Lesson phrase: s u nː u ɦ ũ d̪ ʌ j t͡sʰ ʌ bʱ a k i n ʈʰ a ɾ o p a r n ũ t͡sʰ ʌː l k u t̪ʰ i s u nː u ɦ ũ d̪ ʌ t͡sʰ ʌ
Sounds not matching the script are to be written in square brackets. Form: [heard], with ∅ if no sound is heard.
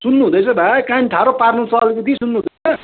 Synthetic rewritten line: s u nː u ɦ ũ d̪ ʌ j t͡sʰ ʌ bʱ a k [a] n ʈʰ a ɾ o p a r n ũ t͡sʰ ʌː l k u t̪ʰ i s u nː u ɦ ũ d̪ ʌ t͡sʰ ʌ